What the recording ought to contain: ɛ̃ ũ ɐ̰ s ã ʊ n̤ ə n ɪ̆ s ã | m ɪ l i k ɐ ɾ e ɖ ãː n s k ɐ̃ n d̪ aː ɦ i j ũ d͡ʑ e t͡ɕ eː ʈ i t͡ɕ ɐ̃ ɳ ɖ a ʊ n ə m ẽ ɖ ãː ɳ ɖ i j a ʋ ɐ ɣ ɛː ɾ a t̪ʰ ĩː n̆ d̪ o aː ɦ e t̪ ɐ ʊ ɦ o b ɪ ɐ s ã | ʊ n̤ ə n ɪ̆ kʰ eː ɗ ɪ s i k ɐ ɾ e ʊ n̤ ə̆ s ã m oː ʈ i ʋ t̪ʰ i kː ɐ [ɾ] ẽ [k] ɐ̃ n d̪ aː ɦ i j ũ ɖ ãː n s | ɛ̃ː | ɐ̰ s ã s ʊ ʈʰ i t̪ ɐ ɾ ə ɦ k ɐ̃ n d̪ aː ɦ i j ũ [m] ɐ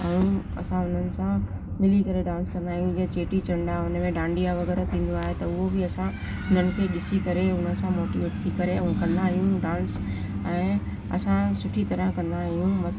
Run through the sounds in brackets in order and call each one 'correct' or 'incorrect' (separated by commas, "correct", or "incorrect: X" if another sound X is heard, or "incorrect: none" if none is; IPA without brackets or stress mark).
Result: correct, correct, correct